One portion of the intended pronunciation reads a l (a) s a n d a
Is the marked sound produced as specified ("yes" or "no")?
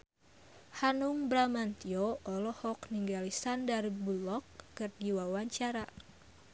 no